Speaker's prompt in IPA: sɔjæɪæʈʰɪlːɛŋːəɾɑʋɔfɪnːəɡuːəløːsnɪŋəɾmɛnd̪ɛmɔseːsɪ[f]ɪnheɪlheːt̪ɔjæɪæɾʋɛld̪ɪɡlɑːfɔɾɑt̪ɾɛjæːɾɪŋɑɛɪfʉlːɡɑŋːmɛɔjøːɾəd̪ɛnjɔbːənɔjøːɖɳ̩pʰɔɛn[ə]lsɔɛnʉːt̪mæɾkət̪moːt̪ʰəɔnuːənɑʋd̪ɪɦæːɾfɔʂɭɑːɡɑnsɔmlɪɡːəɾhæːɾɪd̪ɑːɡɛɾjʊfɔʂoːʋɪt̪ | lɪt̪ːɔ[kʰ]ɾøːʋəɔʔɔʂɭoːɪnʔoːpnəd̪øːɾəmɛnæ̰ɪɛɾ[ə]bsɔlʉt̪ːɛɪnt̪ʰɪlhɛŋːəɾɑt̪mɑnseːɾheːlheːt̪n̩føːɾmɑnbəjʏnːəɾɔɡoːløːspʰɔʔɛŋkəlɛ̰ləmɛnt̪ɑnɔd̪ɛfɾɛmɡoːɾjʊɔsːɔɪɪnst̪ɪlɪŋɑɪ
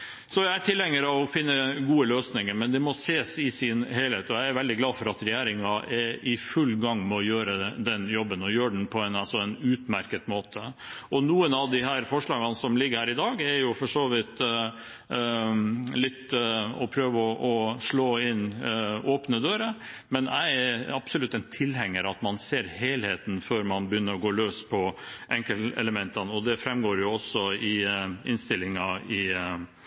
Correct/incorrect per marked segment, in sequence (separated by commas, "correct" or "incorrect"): incorrect, incorrect, incorrect, incorrect